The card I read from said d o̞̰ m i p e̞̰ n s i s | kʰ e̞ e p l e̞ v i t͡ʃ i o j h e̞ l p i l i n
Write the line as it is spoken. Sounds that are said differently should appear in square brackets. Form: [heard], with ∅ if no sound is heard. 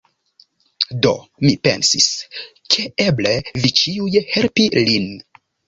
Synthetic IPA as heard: d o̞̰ m i p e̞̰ n s i s | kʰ e̞ e [b] l e̞ v i t͡ʃ i [u] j h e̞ l p i l i n